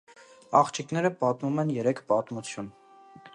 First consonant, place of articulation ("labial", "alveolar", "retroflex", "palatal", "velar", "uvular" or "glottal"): uvular